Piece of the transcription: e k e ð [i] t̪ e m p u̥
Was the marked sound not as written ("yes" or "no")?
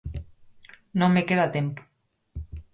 yes